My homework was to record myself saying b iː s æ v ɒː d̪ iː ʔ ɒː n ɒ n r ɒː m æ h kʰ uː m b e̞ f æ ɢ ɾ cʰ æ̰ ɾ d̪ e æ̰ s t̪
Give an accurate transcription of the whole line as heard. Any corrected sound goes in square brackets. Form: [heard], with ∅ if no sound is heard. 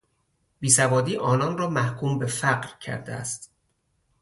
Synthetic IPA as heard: b iː s æ v ɒː d̪ iː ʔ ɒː n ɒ n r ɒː m æ h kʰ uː m b e̞ f æ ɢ ɾ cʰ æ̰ ɾ d̪ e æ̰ s t̪